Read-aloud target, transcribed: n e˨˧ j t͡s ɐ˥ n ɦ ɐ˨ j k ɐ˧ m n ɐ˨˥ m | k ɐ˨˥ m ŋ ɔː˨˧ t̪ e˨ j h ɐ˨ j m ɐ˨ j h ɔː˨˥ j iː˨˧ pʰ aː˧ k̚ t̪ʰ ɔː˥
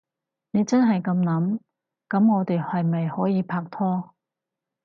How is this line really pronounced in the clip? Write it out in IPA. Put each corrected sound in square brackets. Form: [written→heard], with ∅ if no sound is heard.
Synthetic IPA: n e˨˧ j t͡s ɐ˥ n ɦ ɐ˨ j k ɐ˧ m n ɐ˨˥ m | k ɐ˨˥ m ŋ ɔː˨˧ t̪ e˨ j h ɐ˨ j m ɐ˨ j h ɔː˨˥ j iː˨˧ pʰ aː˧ k̚ t̪ʰ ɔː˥